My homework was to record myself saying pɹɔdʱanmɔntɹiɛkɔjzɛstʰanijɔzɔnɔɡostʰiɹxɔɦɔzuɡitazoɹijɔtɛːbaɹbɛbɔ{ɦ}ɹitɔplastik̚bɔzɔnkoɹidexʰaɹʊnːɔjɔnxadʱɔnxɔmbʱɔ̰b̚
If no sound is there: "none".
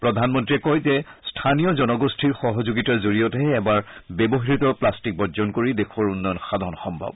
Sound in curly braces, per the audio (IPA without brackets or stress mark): ɦ